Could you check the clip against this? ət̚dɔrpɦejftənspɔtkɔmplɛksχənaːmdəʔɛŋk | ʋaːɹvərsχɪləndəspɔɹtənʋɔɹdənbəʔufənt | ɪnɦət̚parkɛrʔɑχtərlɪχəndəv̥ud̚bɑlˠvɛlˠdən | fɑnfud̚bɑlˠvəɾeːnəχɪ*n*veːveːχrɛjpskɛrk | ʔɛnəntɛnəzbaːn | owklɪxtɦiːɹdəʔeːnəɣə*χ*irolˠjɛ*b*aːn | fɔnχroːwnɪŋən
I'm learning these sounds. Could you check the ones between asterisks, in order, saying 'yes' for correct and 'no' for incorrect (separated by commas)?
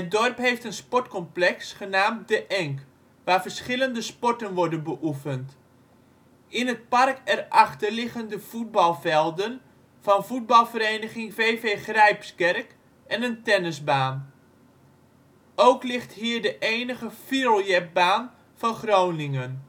no, no, yes